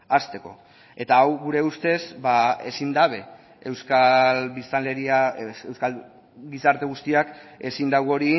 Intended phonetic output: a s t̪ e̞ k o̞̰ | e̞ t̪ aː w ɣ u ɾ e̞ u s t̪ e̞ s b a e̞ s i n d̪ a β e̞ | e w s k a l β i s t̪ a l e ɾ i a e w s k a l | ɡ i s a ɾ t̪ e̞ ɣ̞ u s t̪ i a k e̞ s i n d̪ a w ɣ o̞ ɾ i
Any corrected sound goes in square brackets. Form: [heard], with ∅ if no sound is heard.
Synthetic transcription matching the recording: a s t̪ e̞ k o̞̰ | e̞ t̪ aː w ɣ u ɾ e̞ u s t̪ e̞ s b a e̞ s i n d̪ a β e̞ | e w s k a l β i s t̪ a l e ɾ i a e w s k a l | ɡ i s a ɾ t̪ e̞ ɣ̞ u s t̪ i a k e̞ s i n d̪ a w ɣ o̞ ɾ i

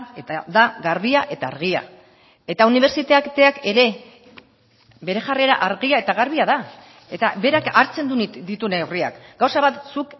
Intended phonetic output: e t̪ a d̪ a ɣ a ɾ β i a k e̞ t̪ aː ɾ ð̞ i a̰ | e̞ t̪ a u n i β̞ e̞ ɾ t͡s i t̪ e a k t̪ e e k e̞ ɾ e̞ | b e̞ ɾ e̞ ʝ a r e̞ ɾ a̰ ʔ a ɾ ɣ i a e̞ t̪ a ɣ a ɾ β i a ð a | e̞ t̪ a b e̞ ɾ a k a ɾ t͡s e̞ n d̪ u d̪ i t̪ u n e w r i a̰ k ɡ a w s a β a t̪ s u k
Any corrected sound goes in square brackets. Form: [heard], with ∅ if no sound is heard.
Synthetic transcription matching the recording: e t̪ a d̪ a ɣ a ɾ β i a [ʔ] e̞ t̪ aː ɾ [ɣ̞] i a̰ | e̞ t̪ a u n i β̞ e̞ ɾ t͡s i t̪ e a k t̪ e [a] k e̞ ɾ e̞ | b e̞ ɾ e̞ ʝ a r e̞ ɾ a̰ ʔ a ɾ ɣ i a e̞ t̪ a ɣ a ɾ β i a ð a | e̞ t̪ a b e̞ ɾ a k a ɾ t͡s e̞ n d̪ u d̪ i t̪ u n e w r i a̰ k ɡ a w s a β a t̪ s u k

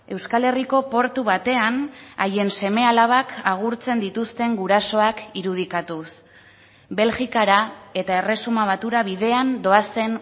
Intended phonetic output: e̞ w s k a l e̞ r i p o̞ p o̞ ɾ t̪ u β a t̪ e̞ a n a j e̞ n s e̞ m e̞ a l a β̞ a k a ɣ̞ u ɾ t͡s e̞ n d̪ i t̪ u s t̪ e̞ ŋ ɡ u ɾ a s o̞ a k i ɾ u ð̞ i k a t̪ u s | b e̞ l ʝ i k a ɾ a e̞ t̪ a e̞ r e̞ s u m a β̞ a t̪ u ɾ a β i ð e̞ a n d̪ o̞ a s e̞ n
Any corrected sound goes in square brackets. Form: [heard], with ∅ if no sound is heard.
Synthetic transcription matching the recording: e̞ w s k a l e̞ r i [k] o̞ p o̞ ɾ t̪ u β a t̪ e̞ a n a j e̞ n s e̞ m e̞ a l a β̞ a k a ɣ̞ u ɾ t͡s e̞ n d̪ i t̪ u s t̪ e̞ ŋ ɡ u ɾ a s o̞ a k i ɾ u ð̞ i k a t̪ u s | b e̞ l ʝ i k a ɾ a e̞ t̪ a e̞ r e̞ s u m a β̞ a t̪ u ɾ a β i ð e̞ a n d̪ o̞ a s e̞ n

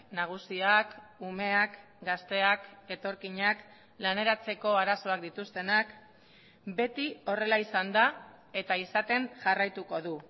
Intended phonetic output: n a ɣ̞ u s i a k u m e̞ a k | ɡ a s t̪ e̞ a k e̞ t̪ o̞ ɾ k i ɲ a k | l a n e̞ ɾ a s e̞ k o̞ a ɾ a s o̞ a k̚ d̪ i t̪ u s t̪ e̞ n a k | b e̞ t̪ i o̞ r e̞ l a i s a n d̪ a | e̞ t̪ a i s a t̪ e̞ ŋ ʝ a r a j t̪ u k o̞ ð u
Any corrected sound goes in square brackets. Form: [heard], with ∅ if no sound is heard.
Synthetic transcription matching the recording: n a ɣ̞ u s i a k u m e̞ a k | ɡ a s t̪ e̞ a k e̞ t̪ o̞ ɾ k i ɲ a k | l a n e̞ ɾ a [t͡s] e̞ k o̞ a ɾ a s o̞ a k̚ d̪ i t̪ u s t̪ e̞ n a k | b e̞ t̪ i o̞ r e̞ l a i s a n d̪ a | e̞ t̪ a i s a t̪ e̞ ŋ ʝ a r a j t̪ u k o̞ ð u

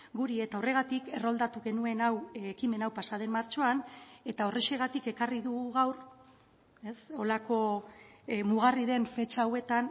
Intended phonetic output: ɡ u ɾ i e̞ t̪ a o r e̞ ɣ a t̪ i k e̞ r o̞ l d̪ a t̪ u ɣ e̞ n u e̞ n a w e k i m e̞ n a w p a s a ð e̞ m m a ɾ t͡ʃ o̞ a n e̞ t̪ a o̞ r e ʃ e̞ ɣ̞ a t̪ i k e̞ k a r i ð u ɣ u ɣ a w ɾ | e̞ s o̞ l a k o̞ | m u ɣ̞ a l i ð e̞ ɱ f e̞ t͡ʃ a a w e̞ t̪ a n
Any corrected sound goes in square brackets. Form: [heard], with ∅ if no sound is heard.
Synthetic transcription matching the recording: ɡ u ɾ i e̞ t̪ a o r e̞ ɣ a t̪ i k e̞ r o̞ l d̪ a t̪ u ɣ e̞ n u e̞ n a w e k i m e̞ n a w p a s a ð e̞ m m a ɾ t͡ʃ o̞ a n e̞ t̪ a o̞ r e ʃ e̞ ɣ̞ a t̪ i k e̞ k a r i ð u ɣ u ɣ a w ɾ | e̞ s o̞ l a k o̞ | m u ɣ̞ a [r] i ð e̞ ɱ f e̞ t͡ʃ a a w e̞ t̪ a n

